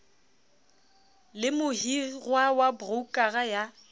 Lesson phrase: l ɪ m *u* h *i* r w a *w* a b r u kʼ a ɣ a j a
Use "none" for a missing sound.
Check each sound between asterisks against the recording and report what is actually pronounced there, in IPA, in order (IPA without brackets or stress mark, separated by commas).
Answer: ʊ, i, w